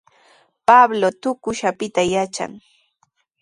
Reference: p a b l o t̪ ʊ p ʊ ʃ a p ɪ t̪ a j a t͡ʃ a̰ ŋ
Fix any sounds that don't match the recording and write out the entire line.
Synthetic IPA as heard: p a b l o t̪ ʊ k ʊ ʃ a p ɪ t̪ a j a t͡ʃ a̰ ŋ